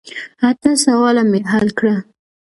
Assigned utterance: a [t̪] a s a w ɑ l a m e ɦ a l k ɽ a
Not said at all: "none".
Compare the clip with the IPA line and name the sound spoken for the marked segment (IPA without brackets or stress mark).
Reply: t̪